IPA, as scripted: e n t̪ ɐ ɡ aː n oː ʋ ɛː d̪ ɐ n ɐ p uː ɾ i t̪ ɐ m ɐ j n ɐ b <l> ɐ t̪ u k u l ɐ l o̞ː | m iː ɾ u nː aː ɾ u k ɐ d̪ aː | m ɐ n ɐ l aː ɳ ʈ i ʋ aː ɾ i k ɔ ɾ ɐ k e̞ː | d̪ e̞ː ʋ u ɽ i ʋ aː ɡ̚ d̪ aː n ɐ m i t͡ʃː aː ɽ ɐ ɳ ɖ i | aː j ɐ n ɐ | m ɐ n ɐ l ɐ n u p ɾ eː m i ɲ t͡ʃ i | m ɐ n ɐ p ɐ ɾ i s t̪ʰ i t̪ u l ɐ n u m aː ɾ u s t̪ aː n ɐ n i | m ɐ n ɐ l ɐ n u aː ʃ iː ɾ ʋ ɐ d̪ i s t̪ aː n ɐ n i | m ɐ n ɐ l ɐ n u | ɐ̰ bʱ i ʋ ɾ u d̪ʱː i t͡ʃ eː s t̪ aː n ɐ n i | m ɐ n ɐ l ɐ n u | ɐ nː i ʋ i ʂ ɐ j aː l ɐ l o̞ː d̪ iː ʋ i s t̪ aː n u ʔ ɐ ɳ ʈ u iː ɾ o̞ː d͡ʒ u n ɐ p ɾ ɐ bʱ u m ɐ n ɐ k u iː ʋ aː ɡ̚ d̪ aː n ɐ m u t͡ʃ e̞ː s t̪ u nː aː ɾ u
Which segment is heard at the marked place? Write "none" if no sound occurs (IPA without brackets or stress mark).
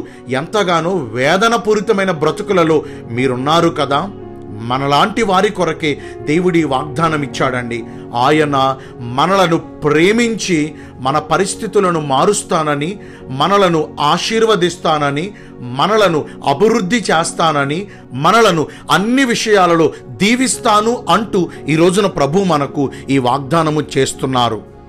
ɾ